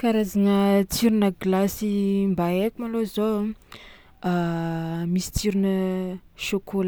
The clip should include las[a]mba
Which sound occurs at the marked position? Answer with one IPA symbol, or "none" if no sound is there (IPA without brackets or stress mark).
i